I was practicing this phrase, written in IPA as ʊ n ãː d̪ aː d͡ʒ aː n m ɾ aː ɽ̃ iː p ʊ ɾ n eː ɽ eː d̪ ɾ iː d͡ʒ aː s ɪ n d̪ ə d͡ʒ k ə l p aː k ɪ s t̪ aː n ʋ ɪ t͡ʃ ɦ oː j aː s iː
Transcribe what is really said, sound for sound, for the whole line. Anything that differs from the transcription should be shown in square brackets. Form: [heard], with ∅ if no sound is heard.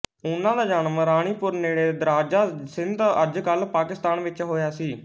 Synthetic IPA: ʊ n ãː d̪ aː d͡ʒ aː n m ɾ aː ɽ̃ iː p ʊ ɾ n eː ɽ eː d̪ ɾ [aː] d͡ʒ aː s ɪ n d̪ ə d͡ʒ k ə l p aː k ɪ s t̪ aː n ʋ ɪ t͡ʃ ɦ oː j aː s iː